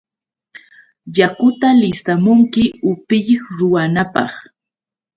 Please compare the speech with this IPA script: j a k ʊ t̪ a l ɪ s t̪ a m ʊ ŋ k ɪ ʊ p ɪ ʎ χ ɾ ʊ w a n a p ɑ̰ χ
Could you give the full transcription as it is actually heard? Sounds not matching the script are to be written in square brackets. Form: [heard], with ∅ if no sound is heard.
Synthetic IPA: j a k ʊ t̪ a l ɪ s t̪ a m ʊ ŋ k ɪ ʊ p ɪ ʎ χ ɾ ʊ w a n a p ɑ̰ χ